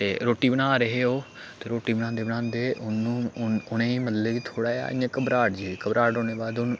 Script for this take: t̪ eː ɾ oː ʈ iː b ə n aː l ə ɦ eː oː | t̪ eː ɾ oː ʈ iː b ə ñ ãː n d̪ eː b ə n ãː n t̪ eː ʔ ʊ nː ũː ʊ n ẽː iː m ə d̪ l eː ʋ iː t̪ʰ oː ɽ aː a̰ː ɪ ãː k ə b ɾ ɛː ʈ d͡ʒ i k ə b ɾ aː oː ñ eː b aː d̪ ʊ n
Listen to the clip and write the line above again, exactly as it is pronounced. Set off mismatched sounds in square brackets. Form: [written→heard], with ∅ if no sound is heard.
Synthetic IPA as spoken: t̪ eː ɾ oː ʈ iː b ə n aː [l→ɾ] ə ɦ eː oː | t̪ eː ɾ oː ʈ iː b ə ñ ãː n d̪ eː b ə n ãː n [t̪→d̪] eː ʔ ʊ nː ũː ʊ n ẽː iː m ə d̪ l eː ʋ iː t̪ʰ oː ɽ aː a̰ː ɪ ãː k ə b ɾ [ɛː→aː] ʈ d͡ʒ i k ə b ɾ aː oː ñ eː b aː d̪ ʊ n